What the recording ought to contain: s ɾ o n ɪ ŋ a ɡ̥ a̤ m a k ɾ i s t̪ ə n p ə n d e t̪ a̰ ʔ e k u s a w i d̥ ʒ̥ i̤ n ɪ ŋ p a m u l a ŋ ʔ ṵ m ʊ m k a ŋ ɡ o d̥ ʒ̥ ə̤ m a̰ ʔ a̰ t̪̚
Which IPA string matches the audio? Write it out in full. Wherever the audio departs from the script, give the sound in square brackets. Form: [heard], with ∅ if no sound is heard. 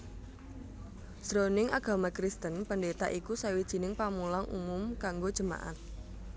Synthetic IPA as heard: s ɾ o n ɪ ŋ a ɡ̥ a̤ m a k ɾ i s t̪ ə n p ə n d e t̪ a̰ ʔ [i] k u s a w i d̥ ʒ̥ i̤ n ɪ ŋ p a m u l a ŋ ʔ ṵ m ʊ m k a ŋ ɡ o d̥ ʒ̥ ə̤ m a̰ ʔ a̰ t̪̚